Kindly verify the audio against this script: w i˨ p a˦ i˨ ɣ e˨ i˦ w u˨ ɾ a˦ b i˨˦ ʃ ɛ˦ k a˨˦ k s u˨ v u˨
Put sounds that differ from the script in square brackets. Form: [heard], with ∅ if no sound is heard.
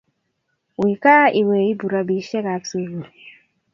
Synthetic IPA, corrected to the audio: w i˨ [k] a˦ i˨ [w] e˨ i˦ [b] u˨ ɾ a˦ b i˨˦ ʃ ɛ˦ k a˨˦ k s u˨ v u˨